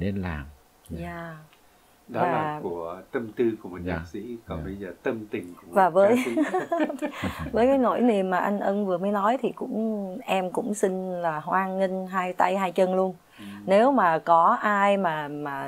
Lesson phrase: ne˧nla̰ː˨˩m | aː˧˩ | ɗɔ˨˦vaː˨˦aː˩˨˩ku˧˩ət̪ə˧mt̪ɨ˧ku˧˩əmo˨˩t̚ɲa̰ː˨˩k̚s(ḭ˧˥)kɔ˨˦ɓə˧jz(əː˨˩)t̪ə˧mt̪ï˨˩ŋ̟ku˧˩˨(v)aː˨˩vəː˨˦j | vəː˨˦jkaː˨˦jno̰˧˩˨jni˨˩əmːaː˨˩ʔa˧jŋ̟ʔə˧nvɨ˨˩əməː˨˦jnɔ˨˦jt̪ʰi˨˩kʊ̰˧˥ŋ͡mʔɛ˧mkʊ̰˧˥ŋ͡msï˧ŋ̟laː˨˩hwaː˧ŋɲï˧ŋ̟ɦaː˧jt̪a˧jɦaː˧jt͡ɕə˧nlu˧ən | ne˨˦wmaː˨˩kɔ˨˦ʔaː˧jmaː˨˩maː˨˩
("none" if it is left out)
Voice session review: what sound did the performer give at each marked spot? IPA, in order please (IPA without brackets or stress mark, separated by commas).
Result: ḭ˧˥, əː˨˩, v